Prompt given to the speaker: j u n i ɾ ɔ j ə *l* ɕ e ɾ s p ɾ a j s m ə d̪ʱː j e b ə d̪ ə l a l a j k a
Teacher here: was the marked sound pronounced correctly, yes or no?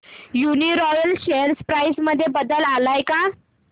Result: yes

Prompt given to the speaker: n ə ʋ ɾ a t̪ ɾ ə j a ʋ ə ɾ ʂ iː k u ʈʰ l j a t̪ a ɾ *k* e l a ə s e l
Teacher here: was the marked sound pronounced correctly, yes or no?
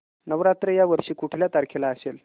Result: no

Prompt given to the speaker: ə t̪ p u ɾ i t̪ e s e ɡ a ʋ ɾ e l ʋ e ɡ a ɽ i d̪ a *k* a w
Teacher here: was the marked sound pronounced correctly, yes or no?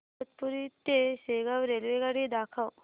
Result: no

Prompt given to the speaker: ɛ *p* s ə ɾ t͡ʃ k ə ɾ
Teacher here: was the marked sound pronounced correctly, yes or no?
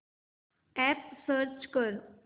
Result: yes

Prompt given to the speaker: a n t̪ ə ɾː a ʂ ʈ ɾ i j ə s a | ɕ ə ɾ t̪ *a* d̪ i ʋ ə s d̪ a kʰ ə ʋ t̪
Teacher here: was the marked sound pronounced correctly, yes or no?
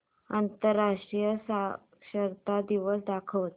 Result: yes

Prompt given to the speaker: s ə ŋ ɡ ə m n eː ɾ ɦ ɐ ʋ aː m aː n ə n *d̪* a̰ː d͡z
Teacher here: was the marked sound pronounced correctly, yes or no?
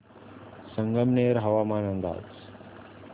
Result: yes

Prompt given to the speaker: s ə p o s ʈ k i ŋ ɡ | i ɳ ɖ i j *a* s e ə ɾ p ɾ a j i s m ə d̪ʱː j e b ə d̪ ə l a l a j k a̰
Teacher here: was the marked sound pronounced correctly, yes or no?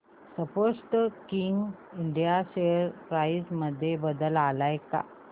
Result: yes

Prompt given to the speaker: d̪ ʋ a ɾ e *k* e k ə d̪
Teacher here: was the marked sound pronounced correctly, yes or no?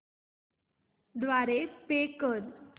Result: no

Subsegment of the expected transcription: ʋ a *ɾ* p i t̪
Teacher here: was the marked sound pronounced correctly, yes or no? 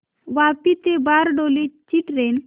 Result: no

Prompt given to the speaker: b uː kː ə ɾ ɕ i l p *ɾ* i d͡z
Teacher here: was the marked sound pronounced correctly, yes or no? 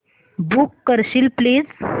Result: no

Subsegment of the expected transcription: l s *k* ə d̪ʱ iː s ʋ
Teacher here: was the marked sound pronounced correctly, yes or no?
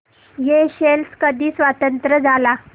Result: yes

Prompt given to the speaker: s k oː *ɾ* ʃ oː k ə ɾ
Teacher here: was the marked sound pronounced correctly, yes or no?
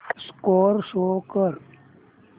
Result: yes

